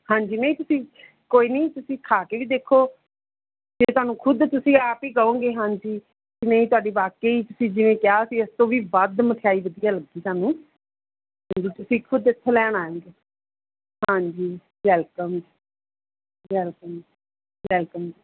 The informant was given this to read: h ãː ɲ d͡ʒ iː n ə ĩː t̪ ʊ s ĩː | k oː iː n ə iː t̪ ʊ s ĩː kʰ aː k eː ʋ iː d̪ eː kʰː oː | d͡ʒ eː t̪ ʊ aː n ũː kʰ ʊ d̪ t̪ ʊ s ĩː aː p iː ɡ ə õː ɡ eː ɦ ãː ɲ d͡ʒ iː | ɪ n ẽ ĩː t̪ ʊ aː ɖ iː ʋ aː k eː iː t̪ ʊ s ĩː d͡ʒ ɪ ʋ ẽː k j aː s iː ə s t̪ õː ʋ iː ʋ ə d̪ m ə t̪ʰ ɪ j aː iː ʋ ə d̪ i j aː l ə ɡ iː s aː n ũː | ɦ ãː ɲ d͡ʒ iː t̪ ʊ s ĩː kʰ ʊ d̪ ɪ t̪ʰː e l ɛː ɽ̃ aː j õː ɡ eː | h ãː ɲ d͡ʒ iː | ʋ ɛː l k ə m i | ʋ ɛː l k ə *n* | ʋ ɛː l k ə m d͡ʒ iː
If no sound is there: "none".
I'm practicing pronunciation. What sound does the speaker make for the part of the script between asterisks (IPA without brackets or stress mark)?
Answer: m